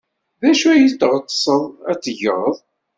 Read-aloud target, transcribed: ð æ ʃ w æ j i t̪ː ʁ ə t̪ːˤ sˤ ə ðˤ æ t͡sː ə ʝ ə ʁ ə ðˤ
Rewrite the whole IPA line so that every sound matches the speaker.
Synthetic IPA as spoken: ð æ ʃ u æ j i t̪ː ʁ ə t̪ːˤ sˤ ə ðˤ æ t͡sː ə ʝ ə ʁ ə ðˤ